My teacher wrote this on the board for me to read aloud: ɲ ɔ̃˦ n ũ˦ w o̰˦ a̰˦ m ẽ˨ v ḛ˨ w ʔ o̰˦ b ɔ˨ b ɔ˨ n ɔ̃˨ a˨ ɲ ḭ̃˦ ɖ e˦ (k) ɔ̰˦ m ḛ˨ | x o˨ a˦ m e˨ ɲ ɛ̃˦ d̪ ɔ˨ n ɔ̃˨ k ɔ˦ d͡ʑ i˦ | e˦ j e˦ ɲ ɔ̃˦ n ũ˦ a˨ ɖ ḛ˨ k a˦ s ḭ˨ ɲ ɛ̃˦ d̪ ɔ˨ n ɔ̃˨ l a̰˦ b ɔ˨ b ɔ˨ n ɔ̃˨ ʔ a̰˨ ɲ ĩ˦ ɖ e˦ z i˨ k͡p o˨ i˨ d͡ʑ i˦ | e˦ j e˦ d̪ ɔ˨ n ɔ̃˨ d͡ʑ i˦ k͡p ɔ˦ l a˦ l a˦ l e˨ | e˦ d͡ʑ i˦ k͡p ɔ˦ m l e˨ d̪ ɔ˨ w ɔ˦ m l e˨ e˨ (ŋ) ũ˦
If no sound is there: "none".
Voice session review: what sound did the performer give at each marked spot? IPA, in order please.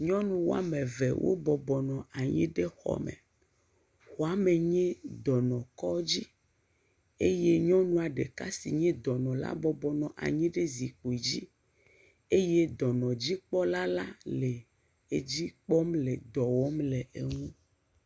x, ŋ

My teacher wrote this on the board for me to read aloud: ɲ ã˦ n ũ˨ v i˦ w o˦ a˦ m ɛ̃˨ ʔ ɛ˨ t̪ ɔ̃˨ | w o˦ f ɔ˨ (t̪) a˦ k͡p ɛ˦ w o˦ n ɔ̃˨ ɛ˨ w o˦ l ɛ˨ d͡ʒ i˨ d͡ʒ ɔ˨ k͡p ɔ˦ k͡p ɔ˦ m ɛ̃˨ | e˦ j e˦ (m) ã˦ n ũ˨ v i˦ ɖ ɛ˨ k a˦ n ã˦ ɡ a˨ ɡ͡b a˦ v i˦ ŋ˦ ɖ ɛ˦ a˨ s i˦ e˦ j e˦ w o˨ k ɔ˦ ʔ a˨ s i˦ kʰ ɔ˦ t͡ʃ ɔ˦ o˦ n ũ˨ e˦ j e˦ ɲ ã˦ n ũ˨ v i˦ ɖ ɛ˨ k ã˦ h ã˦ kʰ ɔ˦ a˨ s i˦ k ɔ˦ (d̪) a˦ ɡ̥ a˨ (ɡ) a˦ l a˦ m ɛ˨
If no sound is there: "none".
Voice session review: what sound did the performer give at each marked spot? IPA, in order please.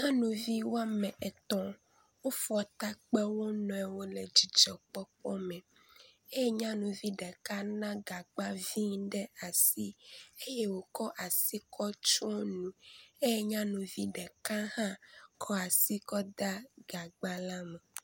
t̪, ɲ, d̪, ɡ͡b

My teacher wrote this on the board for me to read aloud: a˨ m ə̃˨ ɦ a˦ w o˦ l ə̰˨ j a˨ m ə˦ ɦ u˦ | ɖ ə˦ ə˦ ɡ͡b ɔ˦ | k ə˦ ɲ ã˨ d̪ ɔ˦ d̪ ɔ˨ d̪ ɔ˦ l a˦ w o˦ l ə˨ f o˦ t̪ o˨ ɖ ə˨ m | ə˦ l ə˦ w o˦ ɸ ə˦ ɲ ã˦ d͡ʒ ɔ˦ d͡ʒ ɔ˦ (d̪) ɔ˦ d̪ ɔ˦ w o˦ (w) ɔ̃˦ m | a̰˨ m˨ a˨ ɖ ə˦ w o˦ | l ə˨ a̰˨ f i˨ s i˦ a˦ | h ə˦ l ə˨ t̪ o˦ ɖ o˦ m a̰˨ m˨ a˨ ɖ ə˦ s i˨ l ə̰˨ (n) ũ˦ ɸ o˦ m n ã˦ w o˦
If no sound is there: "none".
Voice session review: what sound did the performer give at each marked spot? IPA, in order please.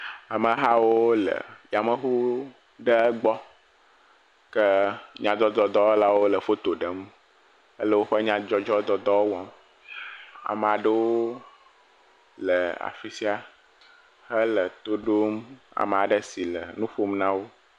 d̪, w, n

